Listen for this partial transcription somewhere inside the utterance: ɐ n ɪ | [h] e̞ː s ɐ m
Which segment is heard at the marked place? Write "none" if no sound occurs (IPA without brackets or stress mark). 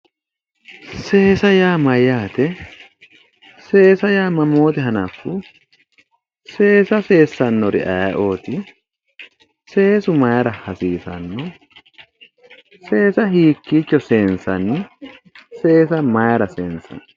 s